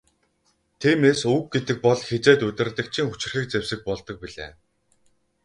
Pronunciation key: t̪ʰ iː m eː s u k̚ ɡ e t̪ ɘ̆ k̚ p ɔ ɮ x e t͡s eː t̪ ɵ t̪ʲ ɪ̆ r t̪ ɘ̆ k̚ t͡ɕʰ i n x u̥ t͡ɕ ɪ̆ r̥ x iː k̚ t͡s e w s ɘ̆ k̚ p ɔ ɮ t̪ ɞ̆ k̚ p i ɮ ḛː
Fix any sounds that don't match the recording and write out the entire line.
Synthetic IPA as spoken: t̪ʰ iː m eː s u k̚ ɡ e t̪ ɘ̆ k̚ p ɔ ɮ x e t͡s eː t̪ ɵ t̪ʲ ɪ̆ r t̪ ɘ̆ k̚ t͡ɕʰ i ŋ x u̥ t͡ɕ ɪ̆ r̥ x iː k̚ t͡s e w s ɘ̆ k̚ p ɔ ɮ t̪ ɞ̆ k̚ p i ɮ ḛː